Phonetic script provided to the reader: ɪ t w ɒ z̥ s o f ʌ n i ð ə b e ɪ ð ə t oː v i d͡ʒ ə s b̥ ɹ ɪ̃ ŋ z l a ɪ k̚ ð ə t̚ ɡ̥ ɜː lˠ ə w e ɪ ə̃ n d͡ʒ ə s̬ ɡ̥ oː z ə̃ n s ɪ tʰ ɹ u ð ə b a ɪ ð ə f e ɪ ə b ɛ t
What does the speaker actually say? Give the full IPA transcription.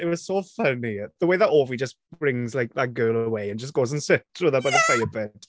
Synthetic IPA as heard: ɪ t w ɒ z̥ s o f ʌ n i ð ə w e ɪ ð ə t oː v i d͡ʒ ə s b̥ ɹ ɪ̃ ŋ z l a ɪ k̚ ð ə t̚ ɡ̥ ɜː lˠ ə w e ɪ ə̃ n d͡ʒ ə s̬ ɡ̥ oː z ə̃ n s ɪ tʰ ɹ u ð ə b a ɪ ð ə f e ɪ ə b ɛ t